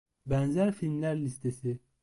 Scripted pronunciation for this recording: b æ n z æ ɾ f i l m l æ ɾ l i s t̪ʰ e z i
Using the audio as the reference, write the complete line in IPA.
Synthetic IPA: b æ n z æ ɾ f i l m l æ ɾ l i s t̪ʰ e s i